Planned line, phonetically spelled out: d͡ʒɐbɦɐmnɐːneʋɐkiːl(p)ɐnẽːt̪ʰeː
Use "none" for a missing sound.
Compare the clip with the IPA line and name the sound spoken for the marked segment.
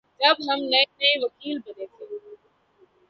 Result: b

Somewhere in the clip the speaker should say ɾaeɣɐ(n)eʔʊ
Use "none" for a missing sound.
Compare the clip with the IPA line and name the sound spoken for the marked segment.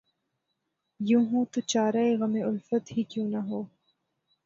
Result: m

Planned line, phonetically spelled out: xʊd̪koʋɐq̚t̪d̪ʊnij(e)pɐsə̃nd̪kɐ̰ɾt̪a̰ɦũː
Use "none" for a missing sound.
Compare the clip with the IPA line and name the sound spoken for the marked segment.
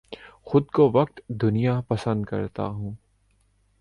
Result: a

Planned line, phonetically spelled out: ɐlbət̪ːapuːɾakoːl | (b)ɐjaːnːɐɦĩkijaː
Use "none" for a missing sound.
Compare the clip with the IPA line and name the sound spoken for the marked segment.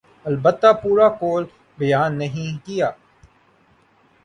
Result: b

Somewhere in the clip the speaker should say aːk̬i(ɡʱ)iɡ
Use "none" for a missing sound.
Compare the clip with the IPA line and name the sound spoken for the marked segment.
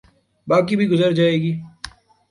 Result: bʱ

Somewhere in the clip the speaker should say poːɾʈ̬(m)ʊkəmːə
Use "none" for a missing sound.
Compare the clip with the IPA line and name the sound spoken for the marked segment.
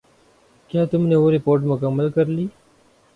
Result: m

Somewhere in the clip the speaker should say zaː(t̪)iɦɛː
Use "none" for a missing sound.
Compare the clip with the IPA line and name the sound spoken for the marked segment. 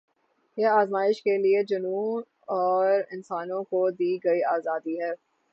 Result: d̪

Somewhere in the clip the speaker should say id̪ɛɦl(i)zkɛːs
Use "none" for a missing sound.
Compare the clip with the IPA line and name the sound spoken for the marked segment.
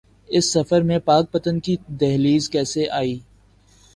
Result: iː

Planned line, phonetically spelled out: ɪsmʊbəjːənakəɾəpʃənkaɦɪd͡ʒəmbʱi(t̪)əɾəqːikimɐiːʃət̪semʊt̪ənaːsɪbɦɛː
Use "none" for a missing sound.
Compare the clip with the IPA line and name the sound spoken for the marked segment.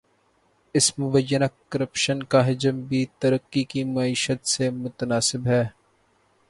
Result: t̪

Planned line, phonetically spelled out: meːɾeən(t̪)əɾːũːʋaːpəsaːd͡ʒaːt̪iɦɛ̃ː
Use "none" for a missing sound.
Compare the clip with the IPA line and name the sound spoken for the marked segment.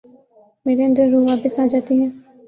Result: d̪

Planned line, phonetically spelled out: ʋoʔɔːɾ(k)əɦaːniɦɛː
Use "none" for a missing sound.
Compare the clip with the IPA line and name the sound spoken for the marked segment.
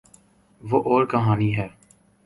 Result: k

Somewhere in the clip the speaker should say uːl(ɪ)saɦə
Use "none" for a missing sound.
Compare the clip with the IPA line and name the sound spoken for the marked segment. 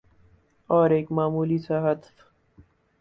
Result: i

